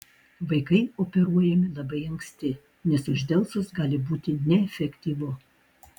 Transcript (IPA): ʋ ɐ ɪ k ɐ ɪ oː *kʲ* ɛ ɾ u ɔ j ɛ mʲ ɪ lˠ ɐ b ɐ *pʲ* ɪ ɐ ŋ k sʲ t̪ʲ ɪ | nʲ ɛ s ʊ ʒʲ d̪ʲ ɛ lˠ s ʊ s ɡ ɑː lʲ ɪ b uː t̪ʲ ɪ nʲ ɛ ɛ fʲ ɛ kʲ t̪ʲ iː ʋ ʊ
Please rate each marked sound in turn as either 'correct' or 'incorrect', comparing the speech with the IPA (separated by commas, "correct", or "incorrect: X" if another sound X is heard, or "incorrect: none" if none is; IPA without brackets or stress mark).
incorrect: pʲ, incorrect: none